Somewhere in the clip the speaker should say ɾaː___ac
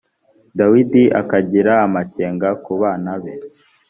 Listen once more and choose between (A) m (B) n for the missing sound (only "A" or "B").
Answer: A